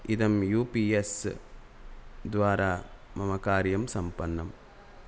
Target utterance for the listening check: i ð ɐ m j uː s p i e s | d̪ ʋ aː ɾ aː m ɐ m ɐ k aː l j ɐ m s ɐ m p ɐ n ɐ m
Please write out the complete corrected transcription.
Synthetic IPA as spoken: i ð ɐ m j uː p i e s | d̪ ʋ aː ɾ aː m ɐ m ɐ k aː ɾ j ɐ m s ɐ m p ɐ nː ɐ m